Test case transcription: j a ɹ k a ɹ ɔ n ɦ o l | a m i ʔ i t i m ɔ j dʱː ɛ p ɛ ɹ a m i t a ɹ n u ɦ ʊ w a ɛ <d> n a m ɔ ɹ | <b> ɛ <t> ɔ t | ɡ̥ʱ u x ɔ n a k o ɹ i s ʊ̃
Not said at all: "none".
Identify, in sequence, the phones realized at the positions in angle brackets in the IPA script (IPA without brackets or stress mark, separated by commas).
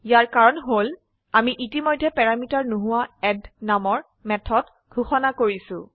d, m, tʰ